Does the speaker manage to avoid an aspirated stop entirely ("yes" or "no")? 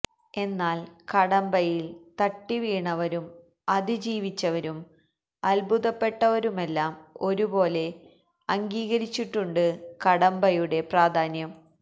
yes